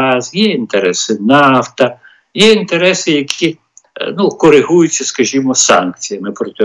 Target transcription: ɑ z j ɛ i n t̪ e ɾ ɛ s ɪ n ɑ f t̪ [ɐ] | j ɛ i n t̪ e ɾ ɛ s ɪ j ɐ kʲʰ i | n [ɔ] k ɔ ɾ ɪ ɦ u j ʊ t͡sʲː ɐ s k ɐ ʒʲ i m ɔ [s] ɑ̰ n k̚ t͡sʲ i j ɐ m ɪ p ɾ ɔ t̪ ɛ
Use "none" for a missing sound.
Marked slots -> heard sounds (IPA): ɐ, u, s

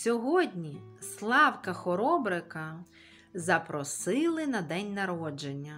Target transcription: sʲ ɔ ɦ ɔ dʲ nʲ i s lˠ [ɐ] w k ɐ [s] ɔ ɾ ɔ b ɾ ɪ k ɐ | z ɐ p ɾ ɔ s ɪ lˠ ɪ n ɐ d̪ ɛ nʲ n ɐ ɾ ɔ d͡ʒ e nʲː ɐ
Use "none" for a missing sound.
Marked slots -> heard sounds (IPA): ɑ, x

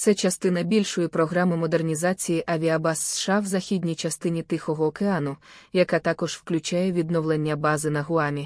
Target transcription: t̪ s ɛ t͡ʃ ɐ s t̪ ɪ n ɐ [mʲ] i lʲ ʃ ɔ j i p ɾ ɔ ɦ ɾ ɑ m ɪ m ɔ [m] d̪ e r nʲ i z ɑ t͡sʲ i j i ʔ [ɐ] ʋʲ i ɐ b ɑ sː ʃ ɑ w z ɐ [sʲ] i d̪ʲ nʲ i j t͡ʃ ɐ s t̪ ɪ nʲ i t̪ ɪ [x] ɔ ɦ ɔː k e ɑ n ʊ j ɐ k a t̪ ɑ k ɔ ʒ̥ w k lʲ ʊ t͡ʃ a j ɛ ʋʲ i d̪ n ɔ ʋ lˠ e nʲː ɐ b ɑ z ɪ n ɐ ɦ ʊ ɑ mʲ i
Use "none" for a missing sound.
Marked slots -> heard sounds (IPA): bʲ, none, ɐ, xʲ, x

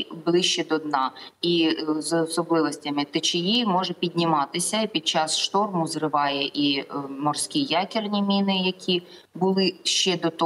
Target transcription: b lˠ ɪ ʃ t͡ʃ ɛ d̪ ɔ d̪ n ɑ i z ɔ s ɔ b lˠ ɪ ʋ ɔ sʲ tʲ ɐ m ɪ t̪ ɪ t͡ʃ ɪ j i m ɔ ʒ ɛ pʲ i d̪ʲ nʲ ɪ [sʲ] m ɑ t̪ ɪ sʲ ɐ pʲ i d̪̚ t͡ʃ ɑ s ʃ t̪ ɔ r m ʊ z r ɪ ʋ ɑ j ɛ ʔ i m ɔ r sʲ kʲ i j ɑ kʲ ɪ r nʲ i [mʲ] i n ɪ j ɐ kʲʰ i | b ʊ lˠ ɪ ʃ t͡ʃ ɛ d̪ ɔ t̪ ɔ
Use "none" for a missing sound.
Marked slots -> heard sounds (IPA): none, mʲ

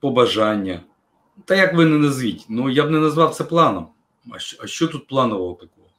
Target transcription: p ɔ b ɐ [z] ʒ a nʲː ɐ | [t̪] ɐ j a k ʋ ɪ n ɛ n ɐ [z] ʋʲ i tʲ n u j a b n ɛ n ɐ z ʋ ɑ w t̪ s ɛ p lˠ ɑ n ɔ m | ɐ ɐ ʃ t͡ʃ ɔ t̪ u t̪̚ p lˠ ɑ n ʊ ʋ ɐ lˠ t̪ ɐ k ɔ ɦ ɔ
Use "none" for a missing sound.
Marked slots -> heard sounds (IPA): none, t̪, z

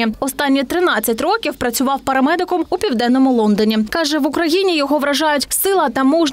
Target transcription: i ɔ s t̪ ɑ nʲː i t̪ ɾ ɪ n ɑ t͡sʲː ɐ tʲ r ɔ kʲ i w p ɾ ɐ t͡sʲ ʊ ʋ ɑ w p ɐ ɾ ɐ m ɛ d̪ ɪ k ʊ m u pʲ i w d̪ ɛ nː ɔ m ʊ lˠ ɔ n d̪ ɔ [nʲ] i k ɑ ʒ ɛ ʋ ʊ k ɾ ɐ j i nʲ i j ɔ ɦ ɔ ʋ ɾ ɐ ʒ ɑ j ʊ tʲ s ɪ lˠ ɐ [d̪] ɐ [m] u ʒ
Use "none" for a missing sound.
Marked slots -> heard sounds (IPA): nʲ, t̪, m

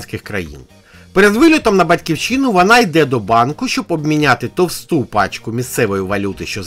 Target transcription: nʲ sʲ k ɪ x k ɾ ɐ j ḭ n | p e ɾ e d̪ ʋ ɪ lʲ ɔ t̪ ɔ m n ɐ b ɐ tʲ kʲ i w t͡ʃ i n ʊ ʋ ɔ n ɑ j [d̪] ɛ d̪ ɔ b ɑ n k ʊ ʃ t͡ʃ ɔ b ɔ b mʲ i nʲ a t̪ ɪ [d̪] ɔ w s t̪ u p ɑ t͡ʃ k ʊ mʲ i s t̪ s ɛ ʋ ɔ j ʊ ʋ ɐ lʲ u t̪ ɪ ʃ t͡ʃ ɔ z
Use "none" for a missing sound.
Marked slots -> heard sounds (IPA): d̪, t̪

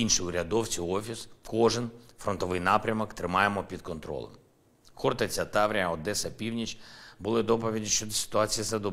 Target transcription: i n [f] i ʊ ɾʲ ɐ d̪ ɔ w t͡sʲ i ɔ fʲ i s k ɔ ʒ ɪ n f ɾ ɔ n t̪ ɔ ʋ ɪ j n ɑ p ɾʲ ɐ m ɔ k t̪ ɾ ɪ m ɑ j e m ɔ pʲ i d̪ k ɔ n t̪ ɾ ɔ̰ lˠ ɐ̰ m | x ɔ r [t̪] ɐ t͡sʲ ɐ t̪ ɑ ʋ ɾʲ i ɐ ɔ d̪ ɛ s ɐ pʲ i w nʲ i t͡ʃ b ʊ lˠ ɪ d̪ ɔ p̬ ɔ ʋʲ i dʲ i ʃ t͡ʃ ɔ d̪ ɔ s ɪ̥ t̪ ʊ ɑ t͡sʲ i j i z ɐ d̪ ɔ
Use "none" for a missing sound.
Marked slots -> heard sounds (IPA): ʃ, t̪

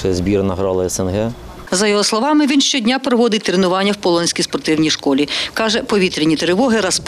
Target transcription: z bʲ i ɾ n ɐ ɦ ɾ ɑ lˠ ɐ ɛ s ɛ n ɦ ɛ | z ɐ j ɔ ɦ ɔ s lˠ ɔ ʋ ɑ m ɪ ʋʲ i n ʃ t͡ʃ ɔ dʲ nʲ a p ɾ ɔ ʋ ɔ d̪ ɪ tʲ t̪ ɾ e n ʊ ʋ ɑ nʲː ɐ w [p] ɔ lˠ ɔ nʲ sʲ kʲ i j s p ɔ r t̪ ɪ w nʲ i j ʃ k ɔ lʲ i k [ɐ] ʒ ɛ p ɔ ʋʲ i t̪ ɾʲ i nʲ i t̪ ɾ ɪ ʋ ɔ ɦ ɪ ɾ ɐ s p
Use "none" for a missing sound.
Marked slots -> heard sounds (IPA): p, ɑ

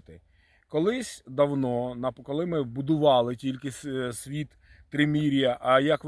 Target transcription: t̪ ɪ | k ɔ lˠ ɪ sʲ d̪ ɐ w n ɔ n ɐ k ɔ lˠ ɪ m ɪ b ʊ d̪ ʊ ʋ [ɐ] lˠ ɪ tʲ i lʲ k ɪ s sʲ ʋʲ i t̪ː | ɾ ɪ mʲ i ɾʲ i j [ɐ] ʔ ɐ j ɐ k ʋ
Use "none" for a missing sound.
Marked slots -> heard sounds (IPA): ɑ, ɐ

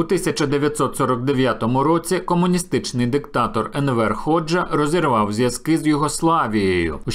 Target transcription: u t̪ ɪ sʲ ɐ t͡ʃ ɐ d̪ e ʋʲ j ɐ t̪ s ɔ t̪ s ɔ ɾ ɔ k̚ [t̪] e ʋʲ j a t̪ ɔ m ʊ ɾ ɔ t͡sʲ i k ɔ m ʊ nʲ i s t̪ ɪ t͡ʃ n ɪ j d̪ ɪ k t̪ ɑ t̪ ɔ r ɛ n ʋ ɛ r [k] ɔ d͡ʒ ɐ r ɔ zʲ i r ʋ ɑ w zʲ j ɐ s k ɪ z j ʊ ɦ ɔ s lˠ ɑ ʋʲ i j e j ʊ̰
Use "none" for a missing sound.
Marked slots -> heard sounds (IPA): d̪, x

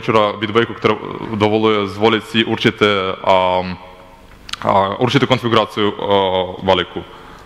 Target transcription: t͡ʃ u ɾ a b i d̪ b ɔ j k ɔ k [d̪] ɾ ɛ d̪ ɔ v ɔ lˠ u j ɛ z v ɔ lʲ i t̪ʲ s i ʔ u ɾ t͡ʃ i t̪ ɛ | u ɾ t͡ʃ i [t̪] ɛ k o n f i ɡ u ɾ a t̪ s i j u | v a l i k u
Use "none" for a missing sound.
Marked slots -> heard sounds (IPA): t̪, t̪

